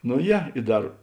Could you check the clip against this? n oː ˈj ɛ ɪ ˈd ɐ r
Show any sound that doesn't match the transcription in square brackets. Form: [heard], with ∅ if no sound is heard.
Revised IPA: n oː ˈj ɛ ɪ ˈd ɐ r